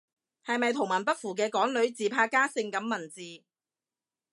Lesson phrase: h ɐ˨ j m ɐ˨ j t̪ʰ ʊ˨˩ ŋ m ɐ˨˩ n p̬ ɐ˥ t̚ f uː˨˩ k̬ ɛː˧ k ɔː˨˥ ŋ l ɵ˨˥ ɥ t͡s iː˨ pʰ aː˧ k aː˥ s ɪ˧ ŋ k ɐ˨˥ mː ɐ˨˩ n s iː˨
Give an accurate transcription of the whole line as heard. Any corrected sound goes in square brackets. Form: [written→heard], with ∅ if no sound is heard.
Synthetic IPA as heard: h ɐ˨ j m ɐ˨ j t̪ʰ ʊ˨˩ ŋ m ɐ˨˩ n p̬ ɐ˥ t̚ f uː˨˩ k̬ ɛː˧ k ɔː˨˥ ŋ l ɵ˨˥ ɥ t͡s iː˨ pʰ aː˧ k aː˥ s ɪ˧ ŋ k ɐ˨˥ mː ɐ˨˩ n [s→t͡s] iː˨